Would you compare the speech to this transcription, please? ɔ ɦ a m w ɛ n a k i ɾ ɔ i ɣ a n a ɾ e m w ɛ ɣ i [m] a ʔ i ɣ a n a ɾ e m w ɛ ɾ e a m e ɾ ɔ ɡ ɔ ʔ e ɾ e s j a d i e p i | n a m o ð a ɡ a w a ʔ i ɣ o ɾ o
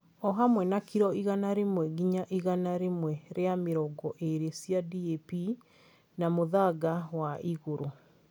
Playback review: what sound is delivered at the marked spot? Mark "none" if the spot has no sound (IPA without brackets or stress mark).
ɲ